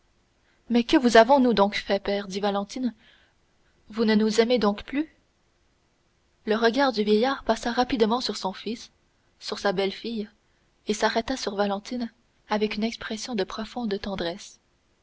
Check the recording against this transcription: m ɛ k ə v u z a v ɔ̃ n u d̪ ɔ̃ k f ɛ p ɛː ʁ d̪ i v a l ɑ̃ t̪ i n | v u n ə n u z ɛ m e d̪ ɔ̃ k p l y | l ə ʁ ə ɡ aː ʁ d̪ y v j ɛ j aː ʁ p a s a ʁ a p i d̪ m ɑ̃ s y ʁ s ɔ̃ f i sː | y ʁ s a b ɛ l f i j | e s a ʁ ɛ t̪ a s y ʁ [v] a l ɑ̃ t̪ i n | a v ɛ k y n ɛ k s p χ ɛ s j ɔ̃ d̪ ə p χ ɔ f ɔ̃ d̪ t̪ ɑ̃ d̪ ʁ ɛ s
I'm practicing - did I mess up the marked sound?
no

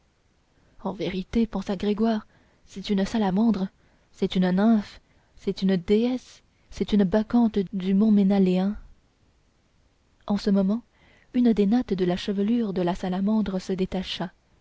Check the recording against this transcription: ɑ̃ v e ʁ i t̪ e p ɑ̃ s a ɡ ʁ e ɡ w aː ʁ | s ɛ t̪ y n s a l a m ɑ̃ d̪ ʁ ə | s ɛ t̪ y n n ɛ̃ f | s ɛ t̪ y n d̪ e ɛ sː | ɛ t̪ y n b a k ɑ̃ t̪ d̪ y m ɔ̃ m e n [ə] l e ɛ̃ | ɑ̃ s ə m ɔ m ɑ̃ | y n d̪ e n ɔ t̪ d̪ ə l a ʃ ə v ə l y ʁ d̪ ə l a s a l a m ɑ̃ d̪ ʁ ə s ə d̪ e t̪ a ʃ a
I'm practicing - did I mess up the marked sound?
yes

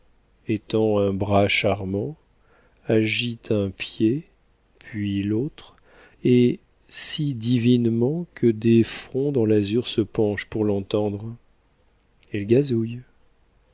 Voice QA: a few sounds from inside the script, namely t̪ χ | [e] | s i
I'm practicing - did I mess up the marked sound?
no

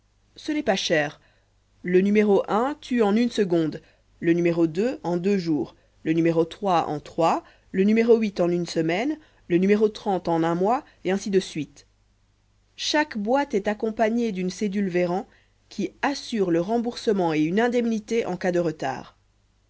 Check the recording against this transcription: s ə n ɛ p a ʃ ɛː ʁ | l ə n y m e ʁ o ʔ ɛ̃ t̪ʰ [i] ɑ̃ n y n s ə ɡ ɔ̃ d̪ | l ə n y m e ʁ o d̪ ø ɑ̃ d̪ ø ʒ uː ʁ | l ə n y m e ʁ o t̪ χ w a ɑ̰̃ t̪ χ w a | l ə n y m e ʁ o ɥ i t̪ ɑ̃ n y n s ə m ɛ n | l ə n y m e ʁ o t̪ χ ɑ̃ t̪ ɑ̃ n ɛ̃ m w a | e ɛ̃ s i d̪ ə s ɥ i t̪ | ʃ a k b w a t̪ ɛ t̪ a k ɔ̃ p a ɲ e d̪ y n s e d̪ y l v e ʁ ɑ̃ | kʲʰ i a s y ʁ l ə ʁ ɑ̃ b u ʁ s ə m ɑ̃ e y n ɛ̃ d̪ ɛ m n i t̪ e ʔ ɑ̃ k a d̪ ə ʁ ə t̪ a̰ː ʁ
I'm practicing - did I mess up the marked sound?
yes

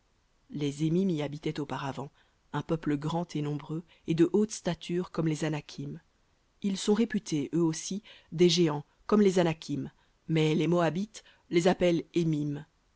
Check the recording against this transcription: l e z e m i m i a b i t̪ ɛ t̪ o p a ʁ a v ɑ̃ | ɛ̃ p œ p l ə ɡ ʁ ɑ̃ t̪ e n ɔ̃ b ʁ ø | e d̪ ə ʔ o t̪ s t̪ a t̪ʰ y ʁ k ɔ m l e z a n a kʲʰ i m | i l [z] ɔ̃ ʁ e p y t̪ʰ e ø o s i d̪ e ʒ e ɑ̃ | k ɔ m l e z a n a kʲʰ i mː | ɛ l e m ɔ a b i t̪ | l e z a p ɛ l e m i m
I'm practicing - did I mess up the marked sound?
yes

